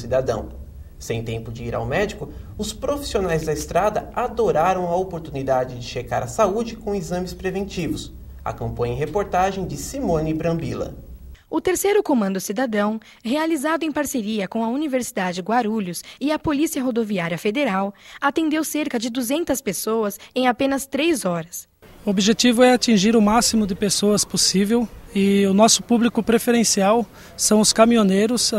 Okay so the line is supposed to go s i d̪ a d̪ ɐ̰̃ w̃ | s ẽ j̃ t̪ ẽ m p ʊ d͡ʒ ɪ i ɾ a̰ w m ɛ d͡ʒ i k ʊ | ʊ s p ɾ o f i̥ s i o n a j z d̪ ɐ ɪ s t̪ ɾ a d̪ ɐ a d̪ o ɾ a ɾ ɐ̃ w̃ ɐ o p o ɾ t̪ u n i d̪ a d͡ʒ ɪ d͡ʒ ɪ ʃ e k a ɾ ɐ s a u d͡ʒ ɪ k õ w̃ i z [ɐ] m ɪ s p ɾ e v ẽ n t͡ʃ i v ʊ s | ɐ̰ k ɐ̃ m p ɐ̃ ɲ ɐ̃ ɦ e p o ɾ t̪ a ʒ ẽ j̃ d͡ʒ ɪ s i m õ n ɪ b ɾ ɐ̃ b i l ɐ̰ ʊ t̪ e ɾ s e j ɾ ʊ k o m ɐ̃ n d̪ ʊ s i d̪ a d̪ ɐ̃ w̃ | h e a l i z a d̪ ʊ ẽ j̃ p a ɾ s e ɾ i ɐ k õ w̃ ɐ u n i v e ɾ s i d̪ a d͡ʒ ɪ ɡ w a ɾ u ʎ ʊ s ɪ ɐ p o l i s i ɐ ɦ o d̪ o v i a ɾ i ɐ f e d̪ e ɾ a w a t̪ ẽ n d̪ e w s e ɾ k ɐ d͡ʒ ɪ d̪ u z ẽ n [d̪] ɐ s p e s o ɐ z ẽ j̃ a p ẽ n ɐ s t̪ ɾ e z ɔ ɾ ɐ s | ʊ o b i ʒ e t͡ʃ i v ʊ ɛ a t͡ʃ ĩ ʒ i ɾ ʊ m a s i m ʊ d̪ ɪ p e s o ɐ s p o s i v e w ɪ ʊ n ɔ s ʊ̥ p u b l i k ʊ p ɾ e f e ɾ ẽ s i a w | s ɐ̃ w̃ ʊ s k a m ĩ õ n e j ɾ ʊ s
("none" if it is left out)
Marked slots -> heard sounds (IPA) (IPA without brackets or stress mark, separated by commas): ɐ̃, t̪